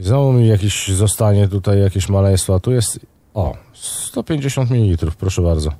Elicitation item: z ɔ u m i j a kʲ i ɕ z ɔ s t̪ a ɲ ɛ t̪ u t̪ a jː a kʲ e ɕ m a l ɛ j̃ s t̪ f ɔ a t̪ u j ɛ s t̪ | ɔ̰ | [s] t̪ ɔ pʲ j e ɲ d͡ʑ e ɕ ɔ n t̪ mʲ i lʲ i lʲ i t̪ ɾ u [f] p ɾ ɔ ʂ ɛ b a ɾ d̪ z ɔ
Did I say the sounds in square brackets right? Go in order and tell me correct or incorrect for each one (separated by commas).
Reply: correct, correct